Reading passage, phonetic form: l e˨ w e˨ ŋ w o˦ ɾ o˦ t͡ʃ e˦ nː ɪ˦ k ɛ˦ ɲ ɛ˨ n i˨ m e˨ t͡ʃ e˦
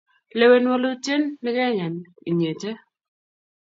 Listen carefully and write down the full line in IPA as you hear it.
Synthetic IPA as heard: l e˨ w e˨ n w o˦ l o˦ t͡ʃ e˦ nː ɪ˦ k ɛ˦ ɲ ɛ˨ n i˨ ɲ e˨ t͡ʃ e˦

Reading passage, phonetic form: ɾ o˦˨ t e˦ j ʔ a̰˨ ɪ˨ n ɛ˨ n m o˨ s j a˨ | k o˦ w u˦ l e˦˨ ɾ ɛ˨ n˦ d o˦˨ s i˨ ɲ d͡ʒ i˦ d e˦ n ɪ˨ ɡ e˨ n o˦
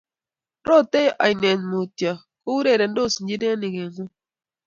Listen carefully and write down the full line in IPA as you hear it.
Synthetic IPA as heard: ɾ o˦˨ t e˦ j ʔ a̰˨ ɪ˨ n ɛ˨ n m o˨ t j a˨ | k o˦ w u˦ ɾ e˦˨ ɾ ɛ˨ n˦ d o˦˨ s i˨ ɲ d͡ʒ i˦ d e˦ n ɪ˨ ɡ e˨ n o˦

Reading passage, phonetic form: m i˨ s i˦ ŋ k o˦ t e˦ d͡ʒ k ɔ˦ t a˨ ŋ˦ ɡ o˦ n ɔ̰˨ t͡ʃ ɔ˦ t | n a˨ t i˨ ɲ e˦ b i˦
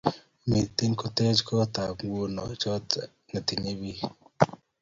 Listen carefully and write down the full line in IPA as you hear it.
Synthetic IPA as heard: m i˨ t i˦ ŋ k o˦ t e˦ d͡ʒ k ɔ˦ t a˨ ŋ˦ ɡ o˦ n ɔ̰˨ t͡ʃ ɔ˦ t | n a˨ t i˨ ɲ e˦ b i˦

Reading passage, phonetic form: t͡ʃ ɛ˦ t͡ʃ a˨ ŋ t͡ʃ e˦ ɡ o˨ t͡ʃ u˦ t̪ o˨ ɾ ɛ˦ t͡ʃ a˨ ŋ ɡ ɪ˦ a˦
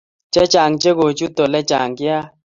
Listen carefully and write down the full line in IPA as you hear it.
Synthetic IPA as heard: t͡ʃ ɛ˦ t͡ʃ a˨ ŋ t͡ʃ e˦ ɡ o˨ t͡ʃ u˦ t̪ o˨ l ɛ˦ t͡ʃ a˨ ŋ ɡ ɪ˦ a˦

